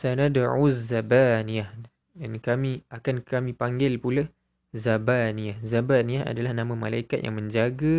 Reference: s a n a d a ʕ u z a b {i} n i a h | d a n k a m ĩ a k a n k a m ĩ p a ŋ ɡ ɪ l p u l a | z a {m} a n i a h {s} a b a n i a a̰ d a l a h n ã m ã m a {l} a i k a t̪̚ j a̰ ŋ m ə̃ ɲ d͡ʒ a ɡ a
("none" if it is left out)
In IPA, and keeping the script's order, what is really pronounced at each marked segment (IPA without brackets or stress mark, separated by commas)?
a, b, z, l